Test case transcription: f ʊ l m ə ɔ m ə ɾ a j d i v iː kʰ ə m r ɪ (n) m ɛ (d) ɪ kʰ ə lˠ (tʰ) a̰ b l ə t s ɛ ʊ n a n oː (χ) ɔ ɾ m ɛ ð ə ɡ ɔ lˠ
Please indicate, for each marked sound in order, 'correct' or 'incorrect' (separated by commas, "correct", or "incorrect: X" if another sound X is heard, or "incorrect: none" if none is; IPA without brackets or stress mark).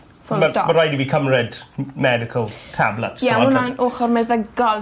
incorrect: d, correct, correct, correct